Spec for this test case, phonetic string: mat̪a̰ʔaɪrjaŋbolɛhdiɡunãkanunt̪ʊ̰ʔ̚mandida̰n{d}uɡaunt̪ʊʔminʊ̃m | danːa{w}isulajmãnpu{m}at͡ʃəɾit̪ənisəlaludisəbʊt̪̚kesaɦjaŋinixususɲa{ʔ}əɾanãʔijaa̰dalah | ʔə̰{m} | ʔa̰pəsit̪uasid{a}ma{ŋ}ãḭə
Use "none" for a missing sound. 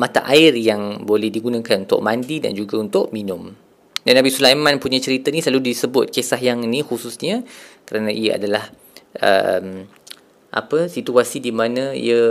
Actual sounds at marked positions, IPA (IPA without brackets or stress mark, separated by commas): d͡ʒ, b, ɲ, k, m, i, n